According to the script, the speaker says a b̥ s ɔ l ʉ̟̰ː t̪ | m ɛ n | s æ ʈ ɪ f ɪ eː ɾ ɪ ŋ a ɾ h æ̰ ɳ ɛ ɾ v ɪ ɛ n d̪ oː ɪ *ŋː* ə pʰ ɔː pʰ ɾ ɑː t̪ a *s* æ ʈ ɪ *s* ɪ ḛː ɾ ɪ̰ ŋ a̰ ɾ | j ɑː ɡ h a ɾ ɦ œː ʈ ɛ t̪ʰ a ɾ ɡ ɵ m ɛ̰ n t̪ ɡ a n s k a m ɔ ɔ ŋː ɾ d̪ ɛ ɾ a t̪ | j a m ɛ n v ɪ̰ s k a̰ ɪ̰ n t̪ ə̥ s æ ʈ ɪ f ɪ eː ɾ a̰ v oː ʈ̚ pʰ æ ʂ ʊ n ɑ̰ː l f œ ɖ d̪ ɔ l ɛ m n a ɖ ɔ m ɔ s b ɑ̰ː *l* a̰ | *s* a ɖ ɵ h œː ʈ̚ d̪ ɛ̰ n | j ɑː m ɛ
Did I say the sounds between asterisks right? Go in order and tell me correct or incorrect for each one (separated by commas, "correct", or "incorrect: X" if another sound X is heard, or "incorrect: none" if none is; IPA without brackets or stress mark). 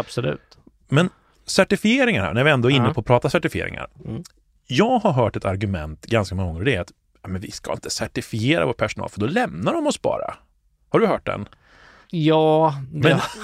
incorrect: nː, correct, incorrect: f, incorrect: ɾ, incorrect: h